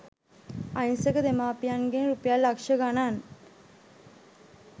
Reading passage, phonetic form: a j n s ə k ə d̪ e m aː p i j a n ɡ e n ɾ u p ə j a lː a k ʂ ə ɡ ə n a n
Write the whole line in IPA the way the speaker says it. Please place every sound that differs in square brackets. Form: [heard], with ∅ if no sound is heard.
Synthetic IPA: a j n s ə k ə d̪ e m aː p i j a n ɡ e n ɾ u p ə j a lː a k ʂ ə ɡ [a] n a n